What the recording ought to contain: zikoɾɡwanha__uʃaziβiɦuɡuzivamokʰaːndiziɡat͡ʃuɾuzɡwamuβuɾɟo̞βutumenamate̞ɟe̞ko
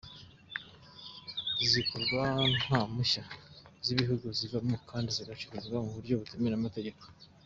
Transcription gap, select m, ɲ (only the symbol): m